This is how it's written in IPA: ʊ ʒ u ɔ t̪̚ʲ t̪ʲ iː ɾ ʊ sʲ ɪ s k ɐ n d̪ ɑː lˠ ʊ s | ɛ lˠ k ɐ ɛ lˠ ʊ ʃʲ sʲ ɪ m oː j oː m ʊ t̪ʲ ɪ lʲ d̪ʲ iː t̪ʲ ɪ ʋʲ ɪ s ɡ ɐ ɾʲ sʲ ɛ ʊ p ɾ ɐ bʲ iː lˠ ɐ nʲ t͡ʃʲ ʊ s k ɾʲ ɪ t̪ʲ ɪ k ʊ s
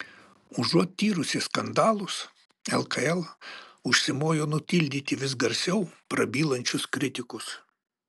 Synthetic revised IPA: ʊ ʒ u ɔ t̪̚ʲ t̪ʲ iː ɾ ʊ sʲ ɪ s k ɐ n d̪ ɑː lˠ ʊ s | ɛ lˠ k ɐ ɛ lˠ ʊ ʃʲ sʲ ɪ m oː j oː n ʊ t̪ʲ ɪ lʲ d̪ʲ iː t̪ʲ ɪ ʋʲ ɪ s ɡ ɐ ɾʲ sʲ ɛ ʊ p ɾ ɐ bʲ iː lˠ ɐ nʲ t͡ʃʲ ʊ s k ɾʲ ɪ t̪ʲ ɪ k ʊ s